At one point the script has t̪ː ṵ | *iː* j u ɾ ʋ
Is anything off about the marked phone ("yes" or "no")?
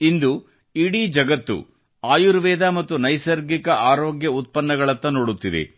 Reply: yes